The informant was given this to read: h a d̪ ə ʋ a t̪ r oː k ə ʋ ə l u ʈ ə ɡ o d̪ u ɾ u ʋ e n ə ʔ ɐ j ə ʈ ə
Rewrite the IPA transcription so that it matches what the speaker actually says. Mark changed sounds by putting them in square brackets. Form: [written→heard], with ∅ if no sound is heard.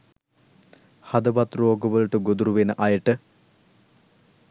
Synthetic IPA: h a d̪ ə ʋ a t̪ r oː [k→ɡ] ə ʋ ə l u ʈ ə ɡ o d̪ u ɾ u ʋ e n ə ʔ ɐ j ə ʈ ə